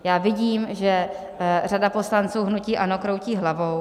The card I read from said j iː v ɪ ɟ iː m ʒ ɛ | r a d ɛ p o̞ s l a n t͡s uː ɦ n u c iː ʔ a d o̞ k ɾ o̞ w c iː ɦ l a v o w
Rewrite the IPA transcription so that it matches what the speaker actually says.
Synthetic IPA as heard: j aː v ɪ ɟ iː m ʒ ɛ | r a d a p o̞ s l a n t͡s uː ɦ n u c iː ʔ a n o̞ k ɾ o̞ w c iː ɦ l a v o w